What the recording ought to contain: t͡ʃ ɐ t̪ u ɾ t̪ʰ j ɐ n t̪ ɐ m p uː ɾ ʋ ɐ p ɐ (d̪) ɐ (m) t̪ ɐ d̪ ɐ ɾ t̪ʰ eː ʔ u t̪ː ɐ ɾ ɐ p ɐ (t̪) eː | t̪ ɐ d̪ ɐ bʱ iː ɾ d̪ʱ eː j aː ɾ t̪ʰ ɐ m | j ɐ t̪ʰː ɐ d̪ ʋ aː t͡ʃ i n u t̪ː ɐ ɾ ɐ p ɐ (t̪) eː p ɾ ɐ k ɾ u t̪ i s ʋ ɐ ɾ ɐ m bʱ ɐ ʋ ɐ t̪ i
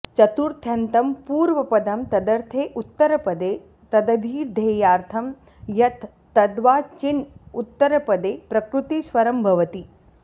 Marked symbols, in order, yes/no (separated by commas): yes, yes, no, no